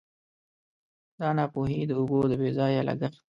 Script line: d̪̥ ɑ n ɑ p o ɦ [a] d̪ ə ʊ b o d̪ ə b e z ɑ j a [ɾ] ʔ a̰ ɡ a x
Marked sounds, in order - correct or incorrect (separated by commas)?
incorrect, incorrect